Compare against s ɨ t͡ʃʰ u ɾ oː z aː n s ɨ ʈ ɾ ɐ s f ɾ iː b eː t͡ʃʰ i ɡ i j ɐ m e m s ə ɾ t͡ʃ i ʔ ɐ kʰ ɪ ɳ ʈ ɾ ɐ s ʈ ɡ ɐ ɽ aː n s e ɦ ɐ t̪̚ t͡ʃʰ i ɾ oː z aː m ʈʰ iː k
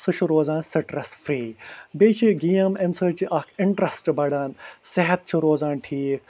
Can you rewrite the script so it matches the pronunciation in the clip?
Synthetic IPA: s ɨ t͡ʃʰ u ɾ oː z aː n s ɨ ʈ ɾ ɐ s f ɾ iː b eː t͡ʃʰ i ɡ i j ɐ m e m s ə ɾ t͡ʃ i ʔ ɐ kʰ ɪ ɳ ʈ ɾ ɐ s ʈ b ɐ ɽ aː n s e ɦ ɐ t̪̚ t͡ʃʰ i ɾ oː z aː n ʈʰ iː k